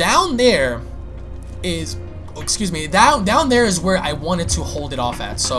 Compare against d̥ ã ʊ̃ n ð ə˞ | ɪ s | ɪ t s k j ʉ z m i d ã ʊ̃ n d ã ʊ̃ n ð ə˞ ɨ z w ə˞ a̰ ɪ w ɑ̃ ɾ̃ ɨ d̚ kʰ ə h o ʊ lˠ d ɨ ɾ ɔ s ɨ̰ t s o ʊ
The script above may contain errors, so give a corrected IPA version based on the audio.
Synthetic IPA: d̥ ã ʊ̃ n ð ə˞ | ɪ z | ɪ k s k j ʉ z m i d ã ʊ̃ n d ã ʊ̃ n ð ə˞ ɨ z w ə˞ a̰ ɪ w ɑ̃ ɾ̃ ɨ d̚ tʰ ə h o ʊ lˠ d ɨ ɾ ɔ f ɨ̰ t s o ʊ